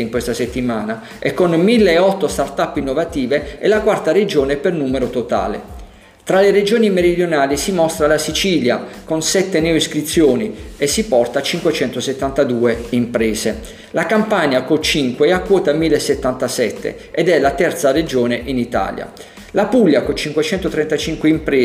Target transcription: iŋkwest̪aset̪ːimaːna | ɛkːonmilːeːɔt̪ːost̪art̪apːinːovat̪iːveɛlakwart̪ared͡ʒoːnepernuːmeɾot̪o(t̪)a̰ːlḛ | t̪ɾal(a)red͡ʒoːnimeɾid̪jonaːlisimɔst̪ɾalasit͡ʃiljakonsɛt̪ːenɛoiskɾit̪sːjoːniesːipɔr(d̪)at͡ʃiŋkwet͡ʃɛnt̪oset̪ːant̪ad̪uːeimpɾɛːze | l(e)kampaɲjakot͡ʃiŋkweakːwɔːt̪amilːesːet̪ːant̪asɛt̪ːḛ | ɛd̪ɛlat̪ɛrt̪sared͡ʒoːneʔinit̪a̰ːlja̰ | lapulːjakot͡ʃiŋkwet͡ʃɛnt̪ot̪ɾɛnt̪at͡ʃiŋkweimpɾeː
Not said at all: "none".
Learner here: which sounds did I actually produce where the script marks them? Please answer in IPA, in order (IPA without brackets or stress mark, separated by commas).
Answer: t̪, e, t̪, a